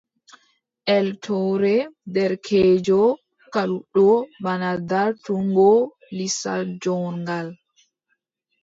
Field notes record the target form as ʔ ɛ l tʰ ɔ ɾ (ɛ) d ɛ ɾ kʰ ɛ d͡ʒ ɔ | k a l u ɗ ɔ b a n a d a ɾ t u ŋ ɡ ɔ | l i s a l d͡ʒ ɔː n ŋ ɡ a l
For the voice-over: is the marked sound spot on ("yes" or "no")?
yes